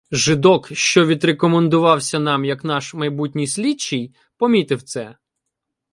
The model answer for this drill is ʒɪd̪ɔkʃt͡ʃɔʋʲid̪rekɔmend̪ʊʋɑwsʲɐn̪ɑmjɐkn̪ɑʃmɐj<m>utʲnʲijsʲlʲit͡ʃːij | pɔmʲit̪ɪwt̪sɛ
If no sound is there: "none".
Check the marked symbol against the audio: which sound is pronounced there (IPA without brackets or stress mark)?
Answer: b